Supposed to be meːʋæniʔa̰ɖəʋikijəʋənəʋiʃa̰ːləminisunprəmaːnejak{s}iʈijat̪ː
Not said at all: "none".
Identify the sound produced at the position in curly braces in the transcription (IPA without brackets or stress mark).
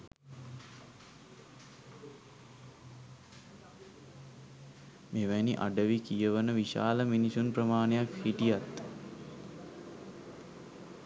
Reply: h